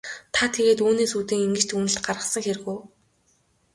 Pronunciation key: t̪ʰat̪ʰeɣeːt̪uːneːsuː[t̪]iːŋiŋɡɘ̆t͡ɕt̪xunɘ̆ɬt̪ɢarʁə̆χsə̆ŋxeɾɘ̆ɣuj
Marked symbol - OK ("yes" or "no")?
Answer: yes